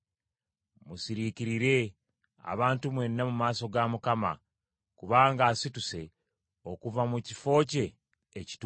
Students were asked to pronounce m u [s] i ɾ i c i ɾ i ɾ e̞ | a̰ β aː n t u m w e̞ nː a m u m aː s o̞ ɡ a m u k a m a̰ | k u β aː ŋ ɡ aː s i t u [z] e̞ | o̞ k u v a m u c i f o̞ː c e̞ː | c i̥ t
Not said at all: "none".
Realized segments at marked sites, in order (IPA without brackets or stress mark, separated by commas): s, s